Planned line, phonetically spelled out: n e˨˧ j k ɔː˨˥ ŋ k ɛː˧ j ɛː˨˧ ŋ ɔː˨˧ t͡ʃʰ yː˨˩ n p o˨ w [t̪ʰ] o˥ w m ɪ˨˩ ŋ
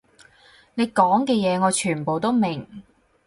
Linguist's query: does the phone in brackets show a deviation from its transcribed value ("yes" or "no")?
yes